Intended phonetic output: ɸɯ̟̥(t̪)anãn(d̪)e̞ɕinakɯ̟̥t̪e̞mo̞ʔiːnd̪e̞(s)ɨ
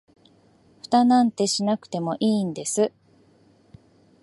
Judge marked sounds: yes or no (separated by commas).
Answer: yes, no, yes